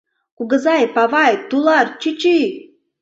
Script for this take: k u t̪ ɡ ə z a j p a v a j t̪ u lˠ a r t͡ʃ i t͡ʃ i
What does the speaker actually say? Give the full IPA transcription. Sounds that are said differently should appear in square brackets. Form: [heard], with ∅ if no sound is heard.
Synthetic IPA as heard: k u [∅] ɡ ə z a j p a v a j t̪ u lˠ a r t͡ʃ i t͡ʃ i

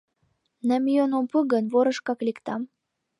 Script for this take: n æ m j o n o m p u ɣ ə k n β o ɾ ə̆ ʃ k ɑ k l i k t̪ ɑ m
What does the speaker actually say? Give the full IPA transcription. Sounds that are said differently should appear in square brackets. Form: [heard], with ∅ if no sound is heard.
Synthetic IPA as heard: n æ m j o n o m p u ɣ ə [∅] n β o ɾ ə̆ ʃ k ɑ k l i k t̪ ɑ m

